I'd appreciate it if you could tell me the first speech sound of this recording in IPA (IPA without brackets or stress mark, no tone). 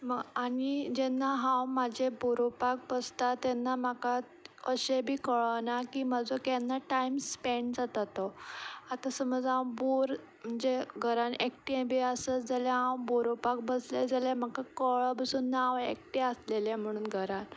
m